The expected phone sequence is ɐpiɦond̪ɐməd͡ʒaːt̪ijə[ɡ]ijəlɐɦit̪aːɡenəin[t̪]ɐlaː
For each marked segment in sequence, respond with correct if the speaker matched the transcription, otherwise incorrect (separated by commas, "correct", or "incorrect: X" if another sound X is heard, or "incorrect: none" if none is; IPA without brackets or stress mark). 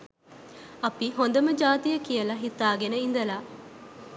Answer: incorrect: k, incorrect: d̪